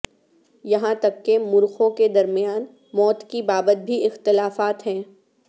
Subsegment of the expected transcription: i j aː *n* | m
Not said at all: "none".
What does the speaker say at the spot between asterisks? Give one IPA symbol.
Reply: n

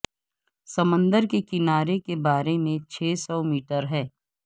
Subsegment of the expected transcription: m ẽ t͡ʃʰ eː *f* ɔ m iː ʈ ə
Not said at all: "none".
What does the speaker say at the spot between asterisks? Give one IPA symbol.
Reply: s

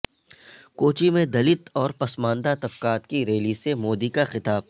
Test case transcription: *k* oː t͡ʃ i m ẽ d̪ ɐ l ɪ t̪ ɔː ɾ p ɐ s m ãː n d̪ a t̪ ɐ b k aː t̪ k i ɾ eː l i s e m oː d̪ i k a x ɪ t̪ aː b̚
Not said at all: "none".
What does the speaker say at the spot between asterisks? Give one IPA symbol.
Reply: k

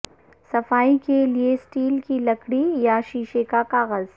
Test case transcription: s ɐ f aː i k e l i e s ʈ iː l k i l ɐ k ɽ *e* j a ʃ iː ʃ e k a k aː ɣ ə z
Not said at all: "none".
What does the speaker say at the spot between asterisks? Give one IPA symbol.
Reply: i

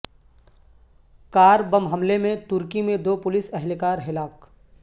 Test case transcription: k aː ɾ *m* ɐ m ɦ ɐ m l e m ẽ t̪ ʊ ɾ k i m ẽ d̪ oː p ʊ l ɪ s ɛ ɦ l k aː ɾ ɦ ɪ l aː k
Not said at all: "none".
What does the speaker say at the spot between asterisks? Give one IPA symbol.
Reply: b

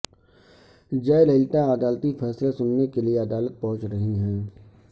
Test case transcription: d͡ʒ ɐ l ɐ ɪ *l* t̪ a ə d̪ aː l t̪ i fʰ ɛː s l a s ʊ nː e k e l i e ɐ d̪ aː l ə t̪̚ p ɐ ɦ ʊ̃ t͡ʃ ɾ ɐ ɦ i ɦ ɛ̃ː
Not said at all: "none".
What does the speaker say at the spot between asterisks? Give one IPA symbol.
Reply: l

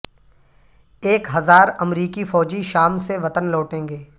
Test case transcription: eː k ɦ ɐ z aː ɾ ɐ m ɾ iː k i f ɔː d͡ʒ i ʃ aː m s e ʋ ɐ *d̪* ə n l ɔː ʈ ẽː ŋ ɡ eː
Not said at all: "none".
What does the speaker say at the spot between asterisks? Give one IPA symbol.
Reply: t̪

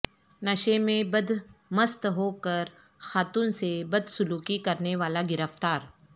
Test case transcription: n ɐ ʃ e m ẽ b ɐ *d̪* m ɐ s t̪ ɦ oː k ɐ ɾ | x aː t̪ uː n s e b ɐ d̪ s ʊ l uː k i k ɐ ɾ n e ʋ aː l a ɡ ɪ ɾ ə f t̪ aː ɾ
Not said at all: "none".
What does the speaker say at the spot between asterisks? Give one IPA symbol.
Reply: d̪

